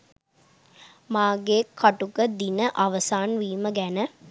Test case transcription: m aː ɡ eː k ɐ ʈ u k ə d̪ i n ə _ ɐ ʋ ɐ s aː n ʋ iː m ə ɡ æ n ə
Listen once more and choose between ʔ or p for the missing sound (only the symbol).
ʔ